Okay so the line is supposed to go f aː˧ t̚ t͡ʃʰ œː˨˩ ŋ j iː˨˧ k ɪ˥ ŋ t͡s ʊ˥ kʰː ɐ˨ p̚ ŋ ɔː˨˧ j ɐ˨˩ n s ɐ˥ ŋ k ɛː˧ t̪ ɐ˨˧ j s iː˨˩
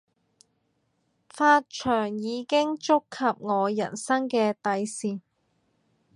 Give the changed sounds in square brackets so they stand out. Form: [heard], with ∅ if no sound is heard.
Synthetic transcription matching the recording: f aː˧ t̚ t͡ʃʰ œː˨˩ ŋ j iː˨˧ k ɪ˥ ŋ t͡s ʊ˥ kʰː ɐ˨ p̚ ŋ ɔː˨˧ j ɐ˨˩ n s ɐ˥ ŋ k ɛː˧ t̪ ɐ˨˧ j s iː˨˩